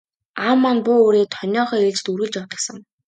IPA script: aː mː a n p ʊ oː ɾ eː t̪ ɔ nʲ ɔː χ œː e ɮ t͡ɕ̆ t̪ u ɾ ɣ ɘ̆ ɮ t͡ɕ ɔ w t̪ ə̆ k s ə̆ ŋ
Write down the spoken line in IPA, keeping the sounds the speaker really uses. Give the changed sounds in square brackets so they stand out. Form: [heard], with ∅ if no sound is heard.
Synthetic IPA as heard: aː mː a n p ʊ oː ɾ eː [t̪ʰ] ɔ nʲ ɔː χ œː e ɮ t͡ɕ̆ t̪ u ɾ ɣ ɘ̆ ɮ t͡ɕ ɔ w t̪ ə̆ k s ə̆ ŋ